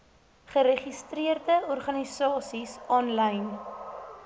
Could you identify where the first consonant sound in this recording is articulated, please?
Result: uvular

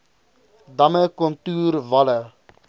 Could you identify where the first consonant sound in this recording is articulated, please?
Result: alveolar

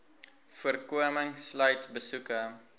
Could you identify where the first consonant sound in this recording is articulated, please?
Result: labial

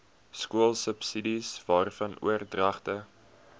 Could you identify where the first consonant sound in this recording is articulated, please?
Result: alveolar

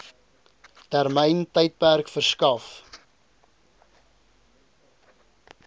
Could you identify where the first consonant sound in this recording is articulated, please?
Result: alveolar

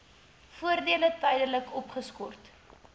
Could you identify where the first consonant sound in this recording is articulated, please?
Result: labial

